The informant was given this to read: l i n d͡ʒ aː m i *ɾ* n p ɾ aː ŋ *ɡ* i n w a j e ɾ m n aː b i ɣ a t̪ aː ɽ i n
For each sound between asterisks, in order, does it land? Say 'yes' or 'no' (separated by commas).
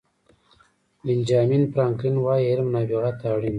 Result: no, no